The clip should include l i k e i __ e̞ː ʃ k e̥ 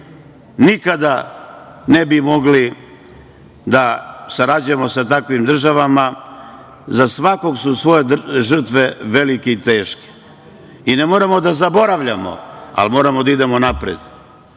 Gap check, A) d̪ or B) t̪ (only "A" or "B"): B